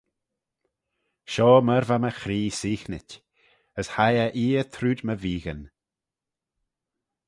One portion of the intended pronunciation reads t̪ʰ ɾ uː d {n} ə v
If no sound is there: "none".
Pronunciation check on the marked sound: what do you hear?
m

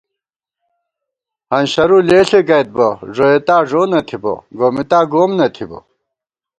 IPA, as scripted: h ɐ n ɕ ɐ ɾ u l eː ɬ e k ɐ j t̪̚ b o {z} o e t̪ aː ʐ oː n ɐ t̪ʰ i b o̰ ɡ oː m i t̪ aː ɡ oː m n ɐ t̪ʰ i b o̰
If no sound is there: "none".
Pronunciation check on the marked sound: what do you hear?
ʐ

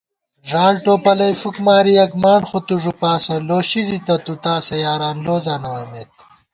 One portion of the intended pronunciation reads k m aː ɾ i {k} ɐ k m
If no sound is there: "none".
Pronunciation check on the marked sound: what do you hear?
none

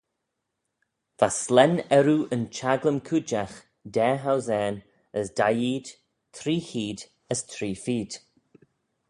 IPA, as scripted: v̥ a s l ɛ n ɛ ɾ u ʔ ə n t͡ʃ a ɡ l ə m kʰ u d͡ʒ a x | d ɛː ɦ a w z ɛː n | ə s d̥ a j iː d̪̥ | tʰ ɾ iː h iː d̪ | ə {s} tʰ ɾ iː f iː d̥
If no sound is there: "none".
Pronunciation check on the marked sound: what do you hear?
s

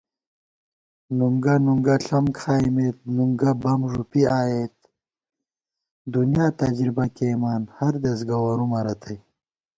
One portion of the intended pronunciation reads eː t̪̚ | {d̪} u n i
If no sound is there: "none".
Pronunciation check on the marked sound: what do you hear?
d̪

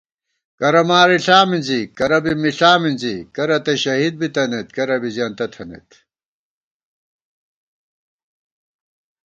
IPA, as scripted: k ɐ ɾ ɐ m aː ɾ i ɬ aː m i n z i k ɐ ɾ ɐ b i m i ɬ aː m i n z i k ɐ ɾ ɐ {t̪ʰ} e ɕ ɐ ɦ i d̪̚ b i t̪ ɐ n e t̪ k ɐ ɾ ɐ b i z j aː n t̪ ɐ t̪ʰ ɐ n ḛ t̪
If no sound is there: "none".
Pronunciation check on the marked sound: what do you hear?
t̪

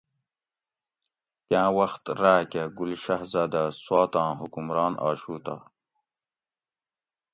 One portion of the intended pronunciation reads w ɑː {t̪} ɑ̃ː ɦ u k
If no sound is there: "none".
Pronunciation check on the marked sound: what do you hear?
t̪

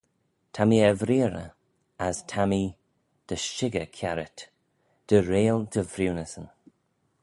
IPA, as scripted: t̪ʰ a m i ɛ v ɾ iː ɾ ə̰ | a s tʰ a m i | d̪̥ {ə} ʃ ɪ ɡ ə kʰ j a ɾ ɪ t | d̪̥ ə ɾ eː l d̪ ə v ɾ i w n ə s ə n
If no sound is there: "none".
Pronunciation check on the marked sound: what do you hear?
ə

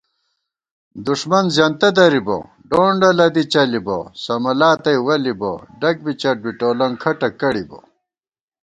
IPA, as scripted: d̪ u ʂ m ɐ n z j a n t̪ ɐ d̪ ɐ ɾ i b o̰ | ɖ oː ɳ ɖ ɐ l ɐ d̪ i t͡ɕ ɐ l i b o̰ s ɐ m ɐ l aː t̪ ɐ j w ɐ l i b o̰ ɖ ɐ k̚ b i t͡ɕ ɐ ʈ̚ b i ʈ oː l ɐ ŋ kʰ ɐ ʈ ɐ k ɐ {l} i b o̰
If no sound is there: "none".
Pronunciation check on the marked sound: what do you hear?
ɽ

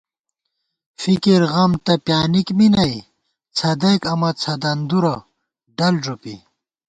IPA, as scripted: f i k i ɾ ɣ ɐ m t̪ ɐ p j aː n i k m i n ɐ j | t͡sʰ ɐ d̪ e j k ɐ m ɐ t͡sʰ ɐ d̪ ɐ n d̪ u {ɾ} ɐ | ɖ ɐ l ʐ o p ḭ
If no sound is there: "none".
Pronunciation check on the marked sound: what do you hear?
ɾ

